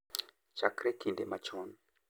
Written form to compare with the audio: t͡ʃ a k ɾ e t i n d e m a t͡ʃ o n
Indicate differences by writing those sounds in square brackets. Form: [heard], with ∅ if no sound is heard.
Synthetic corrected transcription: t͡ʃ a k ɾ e [k] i n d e m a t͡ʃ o n